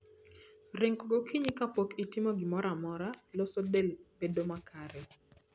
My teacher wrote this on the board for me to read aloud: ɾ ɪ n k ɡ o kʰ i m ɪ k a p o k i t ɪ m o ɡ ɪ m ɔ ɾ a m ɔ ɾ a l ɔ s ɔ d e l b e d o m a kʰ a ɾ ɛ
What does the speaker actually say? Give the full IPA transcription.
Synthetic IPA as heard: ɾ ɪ ŋ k ɡ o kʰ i ɲ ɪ k a p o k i t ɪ m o ɡ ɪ m ɔ ɾ a m ɔ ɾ a l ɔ s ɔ d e l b e d o m a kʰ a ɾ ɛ